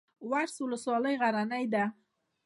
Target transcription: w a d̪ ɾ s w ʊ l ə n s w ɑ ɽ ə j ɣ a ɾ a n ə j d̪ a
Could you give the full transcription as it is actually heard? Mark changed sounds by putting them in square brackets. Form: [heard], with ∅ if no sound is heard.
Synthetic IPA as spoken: w a [∅] ɾ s w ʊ l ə [∅] s w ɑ [l] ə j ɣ a ɾ a n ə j d̪ a